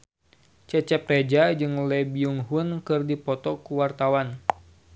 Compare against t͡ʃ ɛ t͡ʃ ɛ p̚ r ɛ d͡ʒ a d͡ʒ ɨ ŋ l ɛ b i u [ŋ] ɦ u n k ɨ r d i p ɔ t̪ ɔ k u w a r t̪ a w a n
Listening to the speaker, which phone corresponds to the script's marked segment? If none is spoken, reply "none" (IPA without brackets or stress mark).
ŋ